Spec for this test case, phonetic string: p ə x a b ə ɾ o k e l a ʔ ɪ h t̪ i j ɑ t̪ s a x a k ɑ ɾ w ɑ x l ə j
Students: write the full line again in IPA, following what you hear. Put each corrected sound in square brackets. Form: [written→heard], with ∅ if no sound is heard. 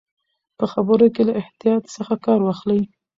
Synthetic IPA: p ə x a b ə ɾ o k e l a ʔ ɪ h t̪ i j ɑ t̪ s [a→ə] x a k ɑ ɾ w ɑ x l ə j